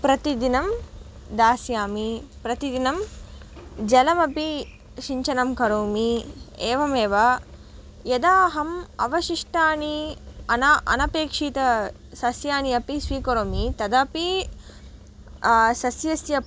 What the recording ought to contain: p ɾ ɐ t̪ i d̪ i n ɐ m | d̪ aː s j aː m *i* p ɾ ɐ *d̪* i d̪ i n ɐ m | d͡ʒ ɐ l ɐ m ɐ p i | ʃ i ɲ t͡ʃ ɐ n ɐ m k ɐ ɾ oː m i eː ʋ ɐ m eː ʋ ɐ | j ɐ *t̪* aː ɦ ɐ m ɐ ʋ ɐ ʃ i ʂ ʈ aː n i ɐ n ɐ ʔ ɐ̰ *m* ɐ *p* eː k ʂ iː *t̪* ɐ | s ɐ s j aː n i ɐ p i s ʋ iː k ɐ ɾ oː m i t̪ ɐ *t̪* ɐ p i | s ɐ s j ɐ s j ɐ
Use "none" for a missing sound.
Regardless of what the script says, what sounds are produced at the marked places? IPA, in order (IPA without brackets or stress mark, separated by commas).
i, t̪, d̪, n, p, t̪, d̪